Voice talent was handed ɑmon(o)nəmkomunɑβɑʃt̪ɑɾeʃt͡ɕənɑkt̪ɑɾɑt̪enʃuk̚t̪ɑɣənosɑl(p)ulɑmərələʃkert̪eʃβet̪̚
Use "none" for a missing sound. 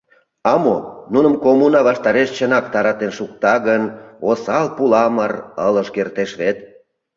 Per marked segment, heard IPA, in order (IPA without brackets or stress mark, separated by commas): u, p